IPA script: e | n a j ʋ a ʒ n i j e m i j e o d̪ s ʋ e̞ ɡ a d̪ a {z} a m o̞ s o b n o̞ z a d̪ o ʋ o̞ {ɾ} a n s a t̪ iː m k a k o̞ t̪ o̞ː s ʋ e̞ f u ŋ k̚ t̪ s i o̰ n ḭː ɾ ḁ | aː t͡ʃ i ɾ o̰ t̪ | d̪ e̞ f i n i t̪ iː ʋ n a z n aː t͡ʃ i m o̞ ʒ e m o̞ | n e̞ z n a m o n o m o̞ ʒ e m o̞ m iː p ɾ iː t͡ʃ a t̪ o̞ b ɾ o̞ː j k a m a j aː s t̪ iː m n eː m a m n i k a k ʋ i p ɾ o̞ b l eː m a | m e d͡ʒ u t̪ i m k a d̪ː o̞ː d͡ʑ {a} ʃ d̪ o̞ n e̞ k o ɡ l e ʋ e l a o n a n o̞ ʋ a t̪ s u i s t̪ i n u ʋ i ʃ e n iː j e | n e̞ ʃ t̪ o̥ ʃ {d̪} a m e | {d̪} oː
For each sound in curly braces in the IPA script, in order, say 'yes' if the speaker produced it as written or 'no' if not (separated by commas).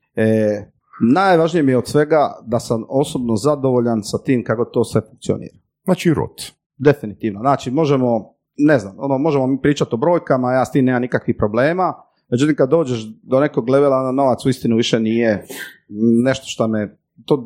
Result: no, no, no, no, no